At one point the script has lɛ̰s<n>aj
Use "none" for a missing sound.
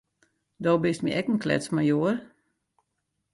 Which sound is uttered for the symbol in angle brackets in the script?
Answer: m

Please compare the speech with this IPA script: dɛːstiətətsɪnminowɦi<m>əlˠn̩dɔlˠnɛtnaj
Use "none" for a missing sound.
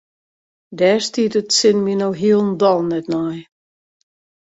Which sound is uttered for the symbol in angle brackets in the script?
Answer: none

